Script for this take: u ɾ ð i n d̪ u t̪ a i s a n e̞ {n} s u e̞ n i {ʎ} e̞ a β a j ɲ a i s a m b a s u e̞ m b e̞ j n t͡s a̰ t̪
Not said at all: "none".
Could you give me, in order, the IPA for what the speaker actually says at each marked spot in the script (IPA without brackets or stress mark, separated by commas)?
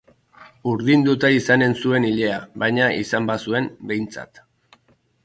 n, ʎ